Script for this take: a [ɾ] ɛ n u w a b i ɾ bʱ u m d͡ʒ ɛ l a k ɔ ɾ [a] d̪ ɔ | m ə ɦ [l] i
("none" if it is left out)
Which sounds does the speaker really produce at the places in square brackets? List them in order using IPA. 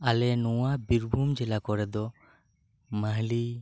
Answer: l, ɛ, l

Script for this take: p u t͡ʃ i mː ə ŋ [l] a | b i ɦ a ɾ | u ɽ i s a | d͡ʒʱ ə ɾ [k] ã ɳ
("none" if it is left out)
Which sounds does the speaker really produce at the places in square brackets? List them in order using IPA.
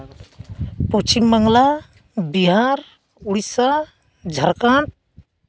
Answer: l, k

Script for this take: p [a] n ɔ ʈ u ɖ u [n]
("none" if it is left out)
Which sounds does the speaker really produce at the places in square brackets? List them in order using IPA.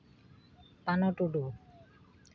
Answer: a, none

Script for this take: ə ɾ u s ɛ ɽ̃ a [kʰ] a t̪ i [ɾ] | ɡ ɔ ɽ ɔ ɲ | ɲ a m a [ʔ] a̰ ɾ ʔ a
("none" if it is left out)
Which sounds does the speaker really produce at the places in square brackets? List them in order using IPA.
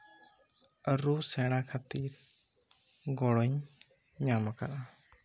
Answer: kʰ, ɾ, k

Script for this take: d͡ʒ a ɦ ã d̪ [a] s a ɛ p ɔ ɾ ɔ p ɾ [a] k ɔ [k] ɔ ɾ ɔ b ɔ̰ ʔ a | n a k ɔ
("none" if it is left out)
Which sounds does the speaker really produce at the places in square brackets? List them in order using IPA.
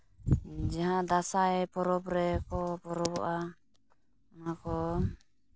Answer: a, ɛ, p

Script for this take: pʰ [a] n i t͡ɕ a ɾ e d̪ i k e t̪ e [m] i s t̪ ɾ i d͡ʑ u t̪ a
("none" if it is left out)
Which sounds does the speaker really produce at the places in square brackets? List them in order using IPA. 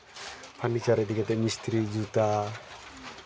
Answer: a, m

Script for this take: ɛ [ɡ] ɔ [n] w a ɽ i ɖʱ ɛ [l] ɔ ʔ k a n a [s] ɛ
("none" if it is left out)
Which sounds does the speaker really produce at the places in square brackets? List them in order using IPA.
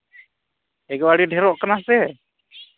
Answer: ɡ, none, ɾ, s

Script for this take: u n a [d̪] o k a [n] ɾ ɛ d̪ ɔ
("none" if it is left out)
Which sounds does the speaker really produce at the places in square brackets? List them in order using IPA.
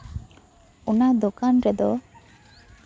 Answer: d̪, n

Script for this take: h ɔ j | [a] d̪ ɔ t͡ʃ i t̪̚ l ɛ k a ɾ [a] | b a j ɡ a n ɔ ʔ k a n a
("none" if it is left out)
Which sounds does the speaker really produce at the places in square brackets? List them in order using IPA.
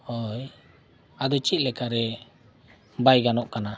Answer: a, ɛ

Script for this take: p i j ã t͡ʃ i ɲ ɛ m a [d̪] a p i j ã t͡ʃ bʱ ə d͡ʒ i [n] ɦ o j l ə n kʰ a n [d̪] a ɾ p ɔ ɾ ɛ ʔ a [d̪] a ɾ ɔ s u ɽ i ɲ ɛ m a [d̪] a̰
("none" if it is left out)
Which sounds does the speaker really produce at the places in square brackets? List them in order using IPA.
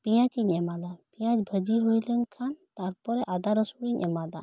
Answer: d̪, none, t̪, d̪, d̪

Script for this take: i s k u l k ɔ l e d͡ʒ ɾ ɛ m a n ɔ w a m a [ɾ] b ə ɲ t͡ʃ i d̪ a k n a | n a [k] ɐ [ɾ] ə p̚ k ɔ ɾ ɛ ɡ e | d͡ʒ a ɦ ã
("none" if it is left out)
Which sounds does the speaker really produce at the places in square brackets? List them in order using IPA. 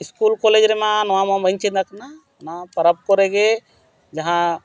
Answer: none, p, ɾ

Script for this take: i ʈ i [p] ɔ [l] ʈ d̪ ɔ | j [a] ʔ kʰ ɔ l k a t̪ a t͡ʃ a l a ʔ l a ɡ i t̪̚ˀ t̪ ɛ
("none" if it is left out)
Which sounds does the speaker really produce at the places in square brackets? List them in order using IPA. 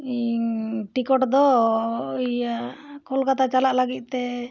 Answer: k, none, a

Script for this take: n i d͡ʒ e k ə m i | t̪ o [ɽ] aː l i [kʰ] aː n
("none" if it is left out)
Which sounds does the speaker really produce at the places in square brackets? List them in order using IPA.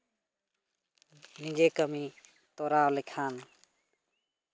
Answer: ɾ, kʰ

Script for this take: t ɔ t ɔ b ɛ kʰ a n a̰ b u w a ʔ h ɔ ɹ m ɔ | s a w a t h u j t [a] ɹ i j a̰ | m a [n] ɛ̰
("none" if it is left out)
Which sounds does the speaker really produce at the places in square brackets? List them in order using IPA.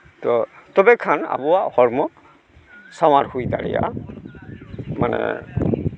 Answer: a, n

